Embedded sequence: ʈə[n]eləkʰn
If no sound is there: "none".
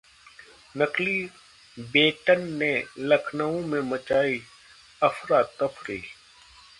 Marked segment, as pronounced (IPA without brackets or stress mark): nː